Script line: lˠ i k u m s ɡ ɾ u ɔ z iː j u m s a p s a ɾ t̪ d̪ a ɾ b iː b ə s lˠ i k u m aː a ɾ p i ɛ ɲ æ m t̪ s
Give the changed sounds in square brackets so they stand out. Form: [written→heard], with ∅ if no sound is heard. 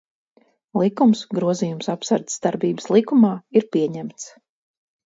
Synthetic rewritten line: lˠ i k u m s ɡ ɾ u ɔ z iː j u m s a p s a ɾ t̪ d̪ a ɾ b iː b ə s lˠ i k u m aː [a→i] ɾ p i ɛ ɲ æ m t̪ s